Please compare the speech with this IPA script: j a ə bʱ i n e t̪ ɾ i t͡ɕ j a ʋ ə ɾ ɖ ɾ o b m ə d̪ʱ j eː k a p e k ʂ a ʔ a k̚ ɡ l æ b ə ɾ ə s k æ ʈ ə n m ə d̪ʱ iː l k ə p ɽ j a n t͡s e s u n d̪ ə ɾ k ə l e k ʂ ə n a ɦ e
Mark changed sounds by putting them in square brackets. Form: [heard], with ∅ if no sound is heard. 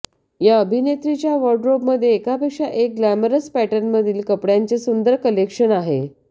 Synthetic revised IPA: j a ə bʱ i n e t̪ ɾ i t͡ɕ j a ʋ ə ɾ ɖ ɾ o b m ə d̪ʱ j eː k a p e k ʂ a ʔ [e] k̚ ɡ l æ [m] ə ɾ ə s [p] æ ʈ ə n m ə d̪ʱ iː l k ə p ɽ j a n t͡s e s u n d̪ ə ɾ k ə l e k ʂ ə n a ɦ e